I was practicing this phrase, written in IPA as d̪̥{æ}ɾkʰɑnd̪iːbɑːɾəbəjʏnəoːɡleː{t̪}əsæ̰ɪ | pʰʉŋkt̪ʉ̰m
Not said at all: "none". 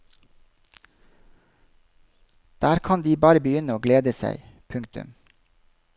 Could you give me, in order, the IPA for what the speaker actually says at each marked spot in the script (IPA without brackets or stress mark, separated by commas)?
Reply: æː, d̪